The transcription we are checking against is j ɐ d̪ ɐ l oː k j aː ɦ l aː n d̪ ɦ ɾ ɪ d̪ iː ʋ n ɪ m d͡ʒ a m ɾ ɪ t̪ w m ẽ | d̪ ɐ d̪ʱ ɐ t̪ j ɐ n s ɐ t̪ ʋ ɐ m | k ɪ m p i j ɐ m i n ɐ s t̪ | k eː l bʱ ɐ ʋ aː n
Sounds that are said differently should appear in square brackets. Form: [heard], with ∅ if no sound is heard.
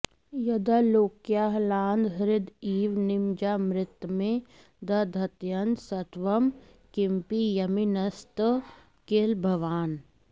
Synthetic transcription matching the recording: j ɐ d̪ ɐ l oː k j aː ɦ l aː n d̪ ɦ ɾ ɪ d̪ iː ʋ n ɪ m d͡ʒ a m ɾ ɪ t̪ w m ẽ | d̪ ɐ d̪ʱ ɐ t̪ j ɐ n s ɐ t̪ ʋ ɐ m | k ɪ m p i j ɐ m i n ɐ s t̪ | k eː l bʱ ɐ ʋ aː n

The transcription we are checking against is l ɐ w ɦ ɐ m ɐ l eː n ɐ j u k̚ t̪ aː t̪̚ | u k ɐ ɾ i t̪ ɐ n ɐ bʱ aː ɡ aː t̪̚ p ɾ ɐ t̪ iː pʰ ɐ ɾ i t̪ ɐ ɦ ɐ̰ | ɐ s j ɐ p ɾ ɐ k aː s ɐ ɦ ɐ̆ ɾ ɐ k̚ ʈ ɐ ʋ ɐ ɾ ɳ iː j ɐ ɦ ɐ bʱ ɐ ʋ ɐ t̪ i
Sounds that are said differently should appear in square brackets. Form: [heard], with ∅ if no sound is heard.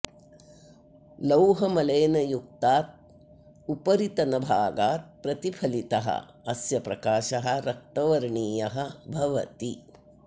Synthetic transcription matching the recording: l ɐ w ɦ ɐ m ɐ l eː n ɐ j u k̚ t̪ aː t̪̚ | u [p] ɐ ɾ i t̪ ɐ n ɐ bʱ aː ɡ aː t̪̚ p ɾ ɐ t̪ [i] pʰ ɐ [l] i t̪ ɐ ɦ ɐ̰ | ɐ s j ɐ p ɾ ɐ k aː [ʃ] ɐ ɦ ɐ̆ ɾ ɐ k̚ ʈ ɐ ʋ ɐ ɾ ɳ iː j ɐ ɦ ɐ bʱ ɐ ʋ ɐ t̪ i

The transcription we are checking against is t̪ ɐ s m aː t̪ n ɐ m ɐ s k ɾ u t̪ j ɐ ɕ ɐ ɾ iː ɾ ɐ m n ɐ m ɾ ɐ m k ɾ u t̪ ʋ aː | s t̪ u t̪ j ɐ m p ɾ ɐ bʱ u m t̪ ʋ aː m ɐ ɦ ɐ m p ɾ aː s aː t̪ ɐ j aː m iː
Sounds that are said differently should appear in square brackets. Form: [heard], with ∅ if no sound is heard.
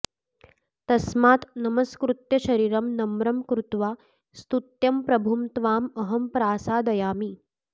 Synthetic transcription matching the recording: t̪ ɐ s m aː t̪ n ɐ m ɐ s k ɾ u t̪ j ɐ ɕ ɐ ɾ iː ɾ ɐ m n ɐ m ɾ ɐ m k ɾ u t̪ ʋ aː | s t̪ u t̪ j ɐ m p ɾ ɐ bʱ u m t̪ ʋ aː m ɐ ɦ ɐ m p ɾ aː s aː [d̪] ɐ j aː m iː

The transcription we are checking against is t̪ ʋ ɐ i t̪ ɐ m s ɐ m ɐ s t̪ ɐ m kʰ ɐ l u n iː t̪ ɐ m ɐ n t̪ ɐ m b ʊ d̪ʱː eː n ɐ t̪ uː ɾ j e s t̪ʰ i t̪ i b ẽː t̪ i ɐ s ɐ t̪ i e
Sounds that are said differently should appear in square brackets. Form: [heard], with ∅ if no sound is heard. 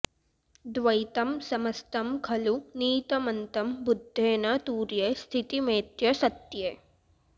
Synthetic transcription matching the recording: [d̪] ʋ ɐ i t̪ ɐ m s ɐ m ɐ s t̪ ɐ m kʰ ɐ l u n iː t̪ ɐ m ɐ n t̪ ɐ m b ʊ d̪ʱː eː n ɐ t̪ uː ɾ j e s t̪ʰ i t̪ i [m] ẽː t̪ [j] ɐ s ɐ t̪ [j] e

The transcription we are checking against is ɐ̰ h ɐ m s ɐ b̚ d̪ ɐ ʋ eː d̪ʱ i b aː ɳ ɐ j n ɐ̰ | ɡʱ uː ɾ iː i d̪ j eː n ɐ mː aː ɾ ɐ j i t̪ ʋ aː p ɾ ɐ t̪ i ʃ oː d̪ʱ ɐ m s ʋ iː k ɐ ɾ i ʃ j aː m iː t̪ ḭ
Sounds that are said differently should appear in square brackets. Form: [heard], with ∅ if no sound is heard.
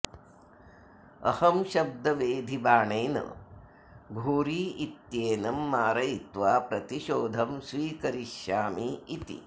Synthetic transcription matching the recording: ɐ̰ h ɐ m [ʃ] ɐ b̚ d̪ ɐ ʋ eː d̪ʱ i b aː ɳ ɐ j n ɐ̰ | ɡʱ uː ɾ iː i [t̪] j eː n ɐ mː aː ɾ ɐ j i t̪ ʋ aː p ɾ ɐ t̪ i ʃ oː d̪ʱ ɐ m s ʋ iː k ɐ ɾ i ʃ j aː m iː t̪ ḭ

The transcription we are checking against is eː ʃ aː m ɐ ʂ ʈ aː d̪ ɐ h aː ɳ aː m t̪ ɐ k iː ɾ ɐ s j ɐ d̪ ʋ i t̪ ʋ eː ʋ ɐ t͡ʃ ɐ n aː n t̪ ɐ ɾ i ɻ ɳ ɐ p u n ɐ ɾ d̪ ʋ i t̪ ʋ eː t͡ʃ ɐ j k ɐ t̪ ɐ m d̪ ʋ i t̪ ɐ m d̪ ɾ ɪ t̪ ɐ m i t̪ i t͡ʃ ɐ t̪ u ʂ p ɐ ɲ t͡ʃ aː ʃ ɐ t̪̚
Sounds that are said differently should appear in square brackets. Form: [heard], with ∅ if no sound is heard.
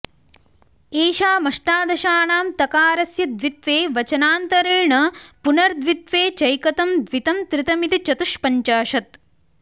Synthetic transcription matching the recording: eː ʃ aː m ɐ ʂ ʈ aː d̪ ɐ [ʃ] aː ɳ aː m t̪ ɐ k [aː] ɾ ɐ s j ɐ d̪ ʋ i t̪ ʋ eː ʋ ɐ t͡ʃ ɐ n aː n t̪ ɐ ɾ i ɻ ɳ ɐ p u n ɐ ɾ d̪ ʋ i t̪ ʋ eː t͡ʃ ɐ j k ɐ t̪ ɐ m d̪ ʋ i t̪ ɐ m [t̪] ɾ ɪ t̪ ɐ m i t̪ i t͡ʃ ɐ t̪ u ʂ p ɐ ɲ t͡ʃ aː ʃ ɐ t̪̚

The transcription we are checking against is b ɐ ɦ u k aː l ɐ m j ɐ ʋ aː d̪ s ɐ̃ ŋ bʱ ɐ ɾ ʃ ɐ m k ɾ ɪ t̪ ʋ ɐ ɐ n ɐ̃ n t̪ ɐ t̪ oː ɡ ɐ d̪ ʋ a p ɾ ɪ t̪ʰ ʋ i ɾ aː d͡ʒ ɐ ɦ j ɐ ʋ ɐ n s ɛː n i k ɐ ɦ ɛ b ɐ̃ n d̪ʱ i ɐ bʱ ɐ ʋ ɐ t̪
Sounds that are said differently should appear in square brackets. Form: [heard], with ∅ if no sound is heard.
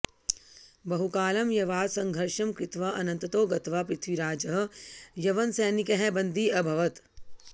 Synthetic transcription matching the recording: b ɐ ɦ u k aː l ɐ m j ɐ ʋ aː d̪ s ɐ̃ ŋ [ɡʱ] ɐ ɾ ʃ ɐ m k ɾ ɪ t̪ ʋ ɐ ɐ n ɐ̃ n t̪ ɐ t̪ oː ɡ ɐ [t̪] ʋ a p ɾ ɪ t̪ʰ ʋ i ɾ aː d͡ʒ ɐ ɦ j ɐ ʋ ɐ n s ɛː n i k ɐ ɦ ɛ b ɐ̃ n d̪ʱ i ɐ bʱ ɐ ʋ ɐ t̪

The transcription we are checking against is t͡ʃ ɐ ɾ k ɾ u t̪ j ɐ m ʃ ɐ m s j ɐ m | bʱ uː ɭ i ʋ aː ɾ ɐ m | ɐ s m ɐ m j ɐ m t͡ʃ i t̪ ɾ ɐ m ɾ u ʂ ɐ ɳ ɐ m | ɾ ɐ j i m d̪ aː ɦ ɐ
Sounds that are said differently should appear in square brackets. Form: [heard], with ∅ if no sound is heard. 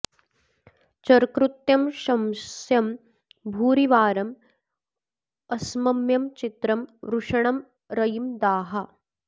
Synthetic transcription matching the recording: t͡ʃ ɐ ɾ k ɾ u t̪ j ɐ m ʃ ɐ m s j ɐ m | bʱ uː [ɾ] i ʋ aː ɾ ɐ m | ɐ s m ɐ m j ɐ m t͡ʃ i t̪ ɾ ɐ m ɾ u ʂ ɐ ɳ ɐ m | ɾ ɐ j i m d̪ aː ɦ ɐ

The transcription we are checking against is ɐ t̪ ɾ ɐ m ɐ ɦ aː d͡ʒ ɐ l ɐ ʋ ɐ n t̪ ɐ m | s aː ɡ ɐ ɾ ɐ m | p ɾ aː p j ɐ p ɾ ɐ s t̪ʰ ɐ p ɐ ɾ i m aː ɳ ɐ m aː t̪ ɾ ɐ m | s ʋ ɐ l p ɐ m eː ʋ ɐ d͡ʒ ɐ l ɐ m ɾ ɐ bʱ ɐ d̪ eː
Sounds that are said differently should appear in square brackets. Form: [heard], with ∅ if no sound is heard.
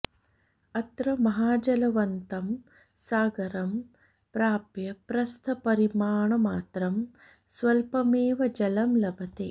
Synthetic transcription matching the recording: ɐ t̪ ɾ ɐ m ɐ ɦ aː d͡ʒ ɐ l ɐ ʋ ɐ n t̪ ɐ m | s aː ɡ ɐ ɾ ɐ m | p ɾ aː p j ɐ p ɾ ɐ s t̪ʰ ɐ p ɐ ɾ i m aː ɳ ɐ m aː t̪ ɾ ɐ m | s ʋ ɐ l p ɐ m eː ʋ ɐ d͡ʒ ɐ l ɐ m [l] ɐ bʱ ɐ [t̪] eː

